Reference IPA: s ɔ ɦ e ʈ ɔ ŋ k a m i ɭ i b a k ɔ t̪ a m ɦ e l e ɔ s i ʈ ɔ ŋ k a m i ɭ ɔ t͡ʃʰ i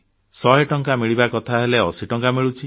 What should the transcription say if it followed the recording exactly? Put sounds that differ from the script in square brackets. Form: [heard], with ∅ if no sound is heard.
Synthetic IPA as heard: s ɔ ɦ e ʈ ɔ ŋ k a m i ɭ i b a k ɔ [t̪ʰ] a [∅] ɦ e l e ɔ s i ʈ ɔ ŋ k a m i ɭ [u] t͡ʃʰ i